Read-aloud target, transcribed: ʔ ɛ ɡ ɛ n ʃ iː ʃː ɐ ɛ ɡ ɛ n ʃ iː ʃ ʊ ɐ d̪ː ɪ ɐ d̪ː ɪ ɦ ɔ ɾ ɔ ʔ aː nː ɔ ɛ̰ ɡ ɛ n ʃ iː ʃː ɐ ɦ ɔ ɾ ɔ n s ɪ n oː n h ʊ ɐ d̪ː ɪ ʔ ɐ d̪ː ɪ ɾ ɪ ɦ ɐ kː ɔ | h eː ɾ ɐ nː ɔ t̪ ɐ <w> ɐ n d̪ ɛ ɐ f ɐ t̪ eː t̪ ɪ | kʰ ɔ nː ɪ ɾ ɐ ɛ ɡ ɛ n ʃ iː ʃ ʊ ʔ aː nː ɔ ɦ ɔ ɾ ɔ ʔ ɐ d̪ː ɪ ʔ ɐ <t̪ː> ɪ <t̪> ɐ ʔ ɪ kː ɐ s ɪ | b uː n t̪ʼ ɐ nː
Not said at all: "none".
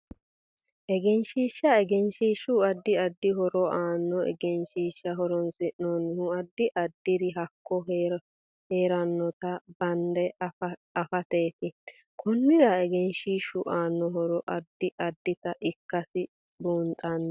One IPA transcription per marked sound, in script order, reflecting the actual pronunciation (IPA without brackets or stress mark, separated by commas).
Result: b, d̪ː, t̪